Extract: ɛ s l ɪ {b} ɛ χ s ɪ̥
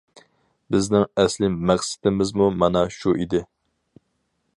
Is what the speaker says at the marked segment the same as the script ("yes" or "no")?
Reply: no